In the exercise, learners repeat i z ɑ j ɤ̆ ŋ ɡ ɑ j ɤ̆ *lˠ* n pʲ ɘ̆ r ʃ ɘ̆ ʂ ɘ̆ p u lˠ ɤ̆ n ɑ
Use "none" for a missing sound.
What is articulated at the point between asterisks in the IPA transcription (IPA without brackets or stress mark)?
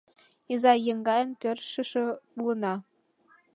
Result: none